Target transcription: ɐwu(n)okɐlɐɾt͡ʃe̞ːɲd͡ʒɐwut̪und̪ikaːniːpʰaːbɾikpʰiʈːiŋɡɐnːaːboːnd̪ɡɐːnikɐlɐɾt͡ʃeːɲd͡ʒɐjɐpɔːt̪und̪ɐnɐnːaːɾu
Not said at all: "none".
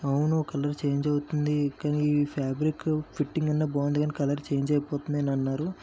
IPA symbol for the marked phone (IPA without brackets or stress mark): n